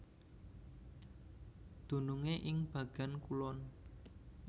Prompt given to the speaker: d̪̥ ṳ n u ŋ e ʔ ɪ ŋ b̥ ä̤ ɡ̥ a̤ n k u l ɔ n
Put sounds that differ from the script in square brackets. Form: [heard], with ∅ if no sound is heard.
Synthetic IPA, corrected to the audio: d̪̥ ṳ n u ŋ e ʔ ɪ ŋ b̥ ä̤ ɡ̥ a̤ n k u l ɔ n